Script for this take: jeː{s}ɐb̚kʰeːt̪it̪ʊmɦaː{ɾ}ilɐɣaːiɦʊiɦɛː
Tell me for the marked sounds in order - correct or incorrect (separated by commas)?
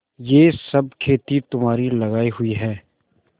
correct, correct